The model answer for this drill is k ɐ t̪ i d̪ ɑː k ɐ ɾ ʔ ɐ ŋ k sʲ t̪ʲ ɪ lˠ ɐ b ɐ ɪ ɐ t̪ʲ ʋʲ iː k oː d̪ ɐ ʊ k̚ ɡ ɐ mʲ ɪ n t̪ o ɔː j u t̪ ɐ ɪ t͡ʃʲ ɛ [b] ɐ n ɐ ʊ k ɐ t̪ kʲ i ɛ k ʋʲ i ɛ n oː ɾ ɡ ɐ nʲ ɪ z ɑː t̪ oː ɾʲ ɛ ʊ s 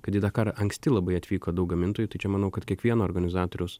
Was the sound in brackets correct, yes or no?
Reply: no